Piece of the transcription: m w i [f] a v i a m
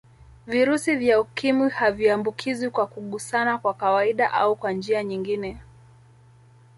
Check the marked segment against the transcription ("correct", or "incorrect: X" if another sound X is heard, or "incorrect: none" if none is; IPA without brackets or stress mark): incorrect: h